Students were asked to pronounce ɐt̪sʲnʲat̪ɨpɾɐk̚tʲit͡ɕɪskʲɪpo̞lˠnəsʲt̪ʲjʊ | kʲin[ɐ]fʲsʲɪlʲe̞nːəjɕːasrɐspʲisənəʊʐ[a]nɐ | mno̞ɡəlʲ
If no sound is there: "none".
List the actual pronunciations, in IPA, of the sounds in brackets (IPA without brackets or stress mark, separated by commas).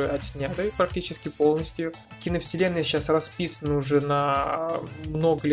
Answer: ə, ɛ